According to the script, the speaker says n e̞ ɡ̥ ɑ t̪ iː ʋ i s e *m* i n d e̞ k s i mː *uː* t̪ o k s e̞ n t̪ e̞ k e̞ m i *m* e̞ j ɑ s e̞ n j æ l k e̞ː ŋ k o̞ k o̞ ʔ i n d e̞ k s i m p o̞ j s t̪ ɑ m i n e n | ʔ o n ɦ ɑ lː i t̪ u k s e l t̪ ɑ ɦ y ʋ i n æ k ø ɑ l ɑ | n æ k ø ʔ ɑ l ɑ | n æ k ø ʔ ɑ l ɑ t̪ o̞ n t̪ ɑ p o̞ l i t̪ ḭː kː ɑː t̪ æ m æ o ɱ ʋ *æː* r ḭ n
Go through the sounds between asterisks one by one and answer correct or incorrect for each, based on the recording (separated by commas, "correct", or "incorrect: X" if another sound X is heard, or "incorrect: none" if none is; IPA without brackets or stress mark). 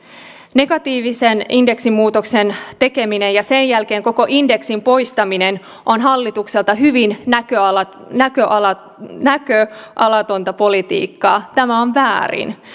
incorrect: n, correct, incorrect: n, correct